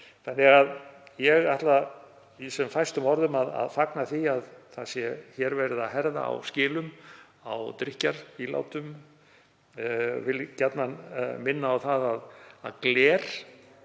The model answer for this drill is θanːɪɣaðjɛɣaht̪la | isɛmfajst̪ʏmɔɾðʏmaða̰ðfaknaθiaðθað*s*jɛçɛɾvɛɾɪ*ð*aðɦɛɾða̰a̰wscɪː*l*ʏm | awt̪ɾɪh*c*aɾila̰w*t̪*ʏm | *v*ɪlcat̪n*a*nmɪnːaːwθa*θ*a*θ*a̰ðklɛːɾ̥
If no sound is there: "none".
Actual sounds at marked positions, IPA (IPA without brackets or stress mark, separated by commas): s, ð, l, c, t̪, v, a, ð, ð